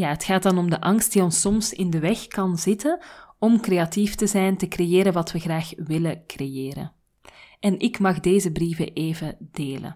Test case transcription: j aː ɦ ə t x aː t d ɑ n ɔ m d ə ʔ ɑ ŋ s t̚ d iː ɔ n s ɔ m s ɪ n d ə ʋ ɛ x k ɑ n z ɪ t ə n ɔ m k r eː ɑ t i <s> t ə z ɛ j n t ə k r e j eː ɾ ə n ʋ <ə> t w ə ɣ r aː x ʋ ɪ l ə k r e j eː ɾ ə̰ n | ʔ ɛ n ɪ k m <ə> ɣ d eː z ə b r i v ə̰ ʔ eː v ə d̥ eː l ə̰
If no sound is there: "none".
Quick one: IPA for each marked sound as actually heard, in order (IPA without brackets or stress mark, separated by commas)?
f, ɑ, ɑ